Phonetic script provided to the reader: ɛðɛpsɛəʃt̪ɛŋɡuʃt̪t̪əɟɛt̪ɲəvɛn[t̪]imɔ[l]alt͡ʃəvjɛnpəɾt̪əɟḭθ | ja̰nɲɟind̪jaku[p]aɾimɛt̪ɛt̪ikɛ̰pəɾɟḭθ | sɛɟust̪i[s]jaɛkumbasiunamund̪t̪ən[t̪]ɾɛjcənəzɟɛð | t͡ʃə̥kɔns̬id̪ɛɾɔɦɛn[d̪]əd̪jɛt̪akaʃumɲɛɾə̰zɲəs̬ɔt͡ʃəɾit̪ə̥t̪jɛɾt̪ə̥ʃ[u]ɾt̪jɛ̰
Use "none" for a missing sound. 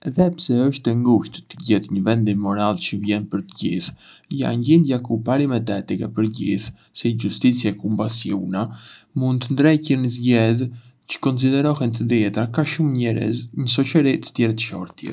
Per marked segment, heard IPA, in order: d̪, ɾ, p, t͡s, d̪, t̪, ɔ

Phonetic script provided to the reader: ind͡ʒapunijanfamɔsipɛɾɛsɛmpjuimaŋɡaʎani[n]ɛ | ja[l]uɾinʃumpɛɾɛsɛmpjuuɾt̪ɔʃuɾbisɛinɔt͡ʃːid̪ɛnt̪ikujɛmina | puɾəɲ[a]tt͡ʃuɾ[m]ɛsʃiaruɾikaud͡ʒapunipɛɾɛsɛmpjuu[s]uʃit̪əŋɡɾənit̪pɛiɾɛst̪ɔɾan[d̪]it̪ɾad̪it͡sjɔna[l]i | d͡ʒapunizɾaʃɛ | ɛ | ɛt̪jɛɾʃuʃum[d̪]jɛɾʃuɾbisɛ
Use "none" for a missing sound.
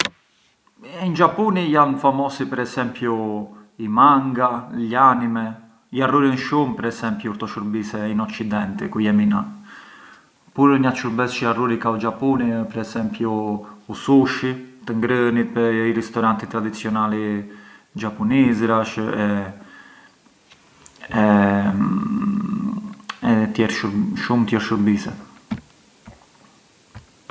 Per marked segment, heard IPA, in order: m, r, a, b, s, t̪, l, t̪

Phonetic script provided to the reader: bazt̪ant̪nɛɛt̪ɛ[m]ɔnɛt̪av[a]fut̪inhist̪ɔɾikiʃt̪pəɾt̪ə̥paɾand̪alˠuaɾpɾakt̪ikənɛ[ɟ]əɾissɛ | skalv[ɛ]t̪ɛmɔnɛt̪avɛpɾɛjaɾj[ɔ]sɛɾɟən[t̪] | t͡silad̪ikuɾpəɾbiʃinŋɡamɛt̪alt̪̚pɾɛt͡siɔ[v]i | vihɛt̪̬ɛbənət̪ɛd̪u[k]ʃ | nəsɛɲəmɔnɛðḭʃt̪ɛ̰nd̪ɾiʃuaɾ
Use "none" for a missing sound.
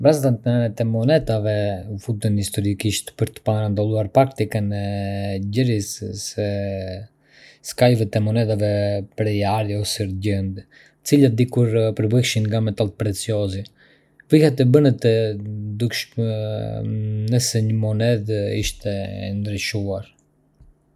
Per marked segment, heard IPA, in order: m, ɛ, ɟ, ɛ, ɔ, d̪, z, k

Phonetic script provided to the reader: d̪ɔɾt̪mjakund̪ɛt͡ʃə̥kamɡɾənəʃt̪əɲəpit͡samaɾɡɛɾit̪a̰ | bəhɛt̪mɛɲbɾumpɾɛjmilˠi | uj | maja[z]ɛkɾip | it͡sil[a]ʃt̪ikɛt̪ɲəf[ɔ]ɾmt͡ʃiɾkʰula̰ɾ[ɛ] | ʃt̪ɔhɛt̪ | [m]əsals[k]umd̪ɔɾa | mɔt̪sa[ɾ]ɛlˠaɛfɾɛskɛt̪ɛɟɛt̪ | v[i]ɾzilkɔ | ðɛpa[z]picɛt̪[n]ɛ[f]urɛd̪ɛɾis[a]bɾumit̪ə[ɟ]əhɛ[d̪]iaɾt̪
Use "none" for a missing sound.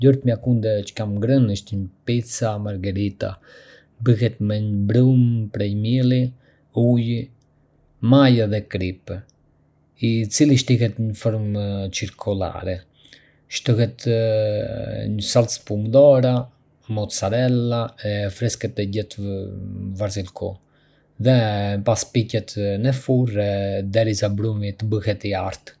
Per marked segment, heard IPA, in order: ð, i, ɔ, ɛ, ɲ, p, ɾ, a, s, n, f, a, b, t̪

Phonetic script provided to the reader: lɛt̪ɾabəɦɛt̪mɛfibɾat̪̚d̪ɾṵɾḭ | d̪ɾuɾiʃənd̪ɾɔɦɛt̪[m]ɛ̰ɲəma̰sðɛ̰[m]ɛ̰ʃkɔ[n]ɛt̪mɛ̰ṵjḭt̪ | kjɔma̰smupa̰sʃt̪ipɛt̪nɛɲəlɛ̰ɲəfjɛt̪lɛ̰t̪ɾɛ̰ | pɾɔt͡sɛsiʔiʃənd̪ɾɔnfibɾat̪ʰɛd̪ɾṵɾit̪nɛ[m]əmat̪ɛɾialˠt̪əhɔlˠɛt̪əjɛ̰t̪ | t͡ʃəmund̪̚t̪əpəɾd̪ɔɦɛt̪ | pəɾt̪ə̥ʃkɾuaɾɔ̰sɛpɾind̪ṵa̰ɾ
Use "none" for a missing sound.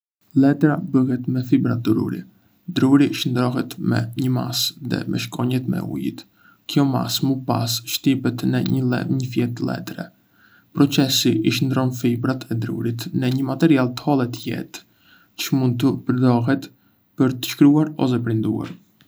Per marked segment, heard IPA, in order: m, m, ɲ, ɲ

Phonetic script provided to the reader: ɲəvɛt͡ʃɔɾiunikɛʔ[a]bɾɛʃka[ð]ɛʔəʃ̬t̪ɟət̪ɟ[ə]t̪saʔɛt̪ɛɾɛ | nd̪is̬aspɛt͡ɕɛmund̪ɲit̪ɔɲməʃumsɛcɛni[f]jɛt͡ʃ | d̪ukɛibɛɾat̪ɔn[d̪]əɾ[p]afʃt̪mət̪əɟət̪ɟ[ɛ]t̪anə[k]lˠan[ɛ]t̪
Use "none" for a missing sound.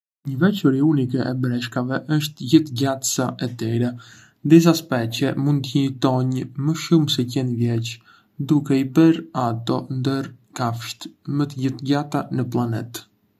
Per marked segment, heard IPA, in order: ɛ, v, a, v, d̪, k, a, p, ɛ

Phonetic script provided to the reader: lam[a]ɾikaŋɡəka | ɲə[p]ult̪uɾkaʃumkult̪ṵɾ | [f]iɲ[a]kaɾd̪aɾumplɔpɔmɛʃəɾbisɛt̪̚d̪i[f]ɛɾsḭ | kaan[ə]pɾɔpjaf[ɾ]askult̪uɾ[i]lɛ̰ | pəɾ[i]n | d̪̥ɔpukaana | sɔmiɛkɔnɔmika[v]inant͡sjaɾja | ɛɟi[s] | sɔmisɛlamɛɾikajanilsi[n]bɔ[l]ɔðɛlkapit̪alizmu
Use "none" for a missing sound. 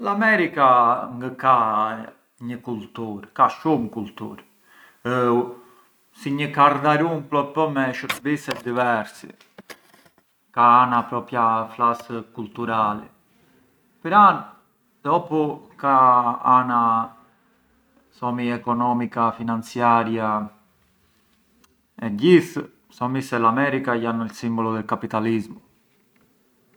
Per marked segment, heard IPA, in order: ɛ, k, s, ə, v, a, l, a, a, f, θ, m, l

